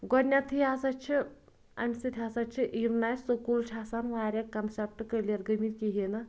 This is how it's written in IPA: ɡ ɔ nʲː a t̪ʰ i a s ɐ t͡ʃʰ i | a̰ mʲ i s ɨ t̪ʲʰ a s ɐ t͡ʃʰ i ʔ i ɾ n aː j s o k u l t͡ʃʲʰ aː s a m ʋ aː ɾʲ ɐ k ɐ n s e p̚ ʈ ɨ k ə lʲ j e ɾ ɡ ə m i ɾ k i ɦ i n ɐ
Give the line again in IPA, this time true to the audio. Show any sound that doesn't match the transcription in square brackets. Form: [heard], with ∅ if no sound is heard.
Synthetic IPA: ɡ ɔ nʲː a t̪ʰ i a s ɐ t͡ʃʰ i | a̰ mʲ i s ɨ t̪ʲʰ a s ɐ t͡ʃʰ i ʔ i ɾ n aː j s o k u l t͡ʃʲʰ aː s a [n] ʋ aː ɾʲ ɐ k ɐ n s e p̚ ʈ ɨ k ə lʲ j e ɾ ɡ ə m i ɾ k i ɦ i n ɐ

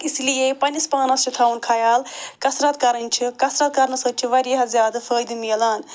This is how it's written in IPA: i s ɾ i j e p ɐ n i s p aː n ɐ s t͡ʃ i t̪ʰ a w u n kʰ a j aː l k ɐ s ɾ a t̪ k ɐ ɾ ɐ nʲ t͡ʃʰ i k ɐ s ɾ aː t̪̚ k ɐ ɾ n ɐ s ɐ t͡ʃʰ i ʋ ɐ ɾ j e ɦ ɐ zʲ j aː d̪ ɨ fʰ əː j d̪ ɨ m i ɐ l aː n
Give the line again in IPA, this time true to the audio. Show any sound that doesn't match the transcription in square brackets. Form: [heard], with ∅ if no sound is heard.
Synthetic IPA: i s [l] i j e p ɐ n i s p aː n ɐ s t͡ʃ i t̪ʰ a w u n kʰ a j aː l k ɐ s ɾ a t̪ k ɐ ɾ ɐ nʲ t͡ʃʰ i k ɐ s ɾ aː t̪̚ k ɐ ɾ n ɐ s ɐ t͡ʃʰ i ʋ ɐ ɾ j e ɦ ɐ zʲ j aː d̪ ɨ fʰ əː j d̪ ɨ m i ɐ l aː n

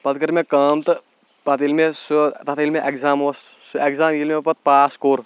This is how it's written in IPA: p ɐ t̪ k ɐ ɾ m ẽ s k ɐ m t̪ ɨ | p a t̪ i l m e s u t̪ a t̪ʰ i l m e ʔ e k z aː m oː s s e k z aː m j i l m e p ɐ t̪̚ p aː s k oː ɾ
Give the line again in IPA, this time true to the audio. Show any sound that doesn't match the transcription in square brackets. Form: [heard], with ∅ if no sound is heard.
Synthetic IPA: p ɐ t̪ k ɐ ɾ m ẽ [∅] k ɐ m t̪ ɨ | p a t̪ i l m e s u t̪ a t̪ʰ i l m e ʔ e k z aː m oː s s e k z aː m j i l m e p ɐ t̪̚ p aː s k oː ɾ

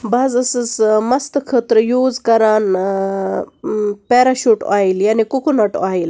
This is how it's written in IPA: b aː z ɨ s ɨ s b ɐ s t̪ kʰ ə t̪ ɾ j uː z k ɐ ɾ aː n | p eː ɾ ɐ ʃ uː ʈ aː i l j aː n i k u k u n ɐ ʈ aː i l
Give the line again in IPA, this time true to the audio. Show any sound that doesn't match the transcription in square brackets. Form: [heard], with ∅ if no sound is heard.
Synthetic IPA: b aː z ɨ s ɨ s [m] ɐ s t̪ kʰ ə t̪ ɾ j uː z k ɐ ɾ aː n | p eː ɾ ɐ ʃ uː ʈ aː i l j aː n i k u k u n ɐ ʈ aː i l

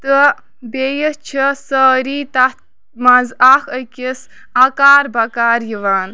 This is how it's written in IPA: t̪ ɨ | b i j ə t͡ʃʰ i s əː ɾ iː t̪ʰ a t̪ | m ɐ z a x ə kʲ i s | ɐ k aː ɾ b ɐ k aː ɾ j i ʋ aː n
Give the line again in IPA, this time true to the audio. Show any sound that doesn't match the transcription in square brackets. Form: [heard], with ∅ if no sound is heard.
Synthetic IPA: t̪ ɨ | b [e] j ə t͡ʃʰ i s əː ɾ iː [t̪] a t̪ | m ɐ z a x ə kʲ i s | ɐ k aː ɾ b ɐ k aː ɾ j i ʋ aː n

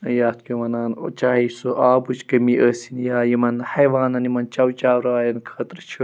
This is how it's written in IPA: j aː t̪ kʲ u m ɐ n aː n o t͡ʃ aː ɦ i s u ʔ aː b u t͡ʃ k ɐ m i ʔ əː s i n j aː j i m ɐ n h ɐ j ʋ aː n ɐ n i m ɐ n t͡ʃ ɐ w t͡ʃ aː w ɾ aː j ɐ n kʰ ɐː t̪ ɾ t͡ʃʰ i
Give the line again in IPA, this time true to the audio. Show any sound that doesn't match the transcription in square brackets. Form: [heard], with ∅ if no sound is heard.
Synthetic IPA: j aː t̪ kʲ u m ɐ n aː n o t͡ʃ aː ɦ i s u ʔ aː b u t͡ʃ k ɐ m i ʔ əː s i n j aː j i m ɐ n h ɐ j ʋ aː n ɐ n i m ɐ n t͡ʃ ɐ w t͡ʃ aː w ɾ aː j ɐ n kʰ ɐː t̪ ɾ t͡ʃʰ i

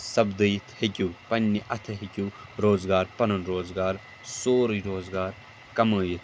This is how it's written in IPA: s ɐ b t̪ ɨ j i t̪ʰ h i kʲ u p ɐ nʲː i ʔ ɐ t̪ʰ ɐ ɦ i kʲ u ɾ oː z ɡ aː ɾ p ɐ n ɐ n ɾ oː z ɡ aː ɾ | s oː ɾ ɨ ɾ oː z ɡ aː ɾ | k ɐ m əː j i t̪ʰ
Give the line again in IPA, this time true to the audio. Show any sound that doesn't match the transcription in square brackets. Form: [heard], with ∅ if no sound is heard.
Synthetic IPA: s ɐ b [d̪] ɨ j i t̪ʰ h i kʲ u p ɐ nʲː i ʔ ɐ t̪ʰ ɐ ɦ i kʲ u ɾ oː z ɡ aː ɾ p ɐ n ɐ n ɾ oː z ɡ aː ɾ | s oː ɾ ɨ ɾ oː z ɡ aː ɾ | k ɐ m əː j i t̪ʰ

